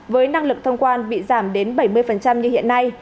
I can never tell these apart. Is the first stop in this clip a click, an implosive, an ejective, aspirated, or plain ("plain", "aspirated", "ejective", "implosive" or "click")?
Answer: plain